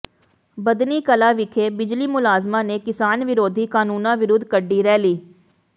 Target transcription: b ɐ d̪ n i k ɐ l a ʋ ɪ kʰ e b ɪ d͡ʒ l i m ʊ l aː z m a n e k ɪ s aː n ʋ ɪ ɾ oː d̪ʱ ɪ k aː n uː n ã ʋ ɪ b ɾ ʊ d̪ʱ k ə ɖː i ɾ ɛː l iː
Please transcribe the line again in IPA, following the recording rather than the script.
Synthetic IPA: b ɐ d̪ n i k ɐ l a ʋ ɪ kʰ e b ɪ d͡ʒ l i m ʊ l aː z m a n e k ɪ s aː n ʋ ɪ ɾ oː d̪ʱ i k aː n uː n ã ʋ ɪ ɾ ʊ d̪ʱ k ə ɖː i ɾ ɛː l iː

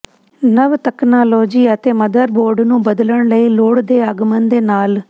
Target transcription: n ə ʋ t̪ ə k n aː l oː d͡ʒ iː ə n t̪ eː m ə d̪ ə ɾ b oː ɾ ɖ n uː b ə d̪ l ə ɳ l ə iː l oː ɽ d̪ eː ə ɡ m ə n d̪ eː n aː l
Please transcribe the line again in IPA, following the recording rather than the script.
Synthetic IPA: n ə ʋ t̪ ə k n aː l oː d͡ʒ iː ə t̪ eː m ə d̪ ə ɾ b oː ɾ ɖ n ũː b ə d̪ l ə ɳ l ə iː l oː ɽ d̪ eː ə ɡ m ə n d̪ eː n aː l

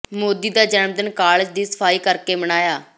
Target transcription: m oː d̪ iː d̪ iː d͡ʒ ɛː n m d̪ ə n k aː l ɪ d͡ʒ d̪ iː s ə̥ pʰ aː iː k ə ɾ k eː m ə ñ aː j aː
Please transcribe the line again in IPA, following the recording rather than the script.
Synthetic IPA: m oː d̪ iː d̪ aː d͡ʒ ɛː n m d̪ ə n k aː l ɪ d͡ʒ d̪ iː s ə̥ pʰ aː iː k ə ɾ k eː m ə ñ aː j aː

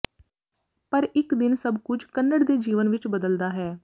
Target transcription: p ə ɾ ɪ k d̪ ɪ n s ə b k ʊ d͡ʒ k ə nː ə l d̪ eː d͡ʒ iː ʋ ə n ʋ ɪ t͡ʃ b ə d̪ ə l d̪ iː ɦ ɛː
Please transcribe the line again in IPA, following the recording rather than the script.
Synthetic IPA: p ə ɾ ɪ k d̪ ɪ n s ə b k ʊ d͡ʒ k ə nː ə ɽ d̪ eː d͡ʒ iː ʋ ə n ʋ ɪ t͡ʃ b ə d̪ ə l d̪ aː ɦ ɛː

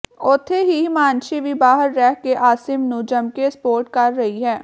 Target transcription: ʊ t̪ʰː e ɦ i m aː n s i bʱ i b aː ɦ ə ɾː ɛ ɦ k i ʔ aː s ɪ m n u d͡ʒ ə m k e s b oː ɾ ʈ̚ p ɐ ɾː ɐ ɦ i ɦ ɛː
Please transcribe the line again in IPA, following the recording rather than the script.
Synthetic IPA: ʊ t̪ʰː e ɦ i m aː n ʃ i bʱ i b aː ɦ ə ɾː ɛ ɦ k e ʔ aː s ɪ m n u d͡ʒ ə m k e s p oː ɾ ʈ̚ k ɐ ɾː ɐ ɦ i ɦ ɛː

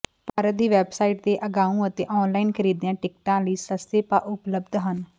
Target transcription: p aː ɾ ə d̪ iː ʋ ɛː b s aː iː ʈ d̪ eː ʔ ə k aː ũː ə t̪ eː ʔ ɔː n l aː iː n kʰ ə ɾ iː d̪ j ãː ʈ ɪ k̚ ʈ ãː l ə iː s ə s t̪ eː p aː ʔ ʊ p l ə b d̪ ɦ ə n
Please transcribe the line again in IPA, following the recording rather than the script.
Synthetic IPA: p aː ɾ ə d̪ iː ʋ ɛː b s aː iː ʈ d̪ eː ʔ ə ɡ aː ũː ə t̪ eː ʔ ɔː n l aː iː n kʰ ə ɾ iː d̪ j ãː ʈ ɪ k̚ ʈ ãː l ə iː s ə s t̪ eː p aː ʔ ʊ p l ə b d̪ ɦ ə n

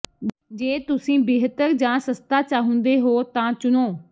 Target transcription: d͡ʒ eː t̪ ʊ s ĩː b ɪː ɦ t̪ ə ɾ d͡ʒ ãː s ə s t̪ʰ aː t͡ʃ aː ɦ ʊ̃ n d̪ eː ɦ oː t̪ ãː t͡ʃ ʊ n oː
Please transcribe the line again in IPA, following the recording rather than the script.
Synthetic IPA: d͡ʒ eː t̪ ʊ s ĩː b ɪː ɦ t̪ ə ɾ d͡ʒ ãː s ə s t̪ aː t͡ʃ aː ɦ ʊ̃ n d̪ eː ɦ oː t̪ ãː t͡ʃ ʊ n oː

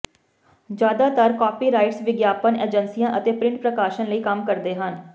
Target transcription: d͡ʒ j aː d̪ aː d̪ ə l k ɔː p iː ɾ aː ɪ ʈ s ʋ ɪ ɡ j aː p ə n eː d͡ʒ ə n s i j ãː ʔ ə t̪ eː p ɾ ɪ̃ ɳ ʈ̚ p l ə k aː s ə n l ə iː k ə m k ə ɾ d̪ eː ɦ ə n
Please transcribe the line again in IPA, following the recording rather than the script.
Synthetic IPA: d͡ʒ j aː d̪ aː t̪ ə ɾ k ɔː p iː ɾ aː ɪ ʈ s ʋ ɪ ɡ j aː p ə n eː d͡ʒ ə n s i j ãː ʔ ə t̪ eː p ɾ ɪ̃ ɳ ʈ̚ p ɾ ə k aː ʃ ə n l ə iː k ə m k ə ɾ d̪ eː ɦ ə n

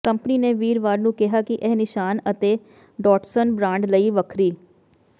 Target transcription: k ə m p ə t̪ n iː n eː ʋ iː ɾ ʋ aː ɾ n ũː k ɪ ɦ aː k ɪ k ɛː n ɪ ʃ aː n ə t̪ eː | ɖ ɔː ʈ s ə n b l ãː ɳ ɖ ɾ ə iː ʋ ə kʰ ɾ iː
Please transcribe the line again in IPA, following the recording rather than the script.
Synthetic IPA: k ə m p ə n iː n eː ʋ iː ɾ ʋ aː ɾ n ũː k ɪ ɦ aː k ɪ ʔ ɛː n ɪ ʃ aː n ə t̪ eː | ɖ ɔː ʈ s ə n b ɾ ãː ɳ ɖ l ə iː ʋ ə kʰ ɾ iː

